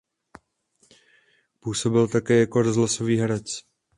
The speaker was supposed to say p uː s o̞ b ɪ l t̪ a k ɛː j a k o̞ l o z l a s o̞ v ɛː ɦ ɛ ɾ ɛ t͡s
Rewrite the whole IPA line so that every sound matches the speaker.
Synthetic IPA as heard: p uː s o̞ b ɪ l t̪ a k ɛː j a k o̞ ɾ o z l a s o̞ v iː ɦ ɛ ɾ ɛ t͡s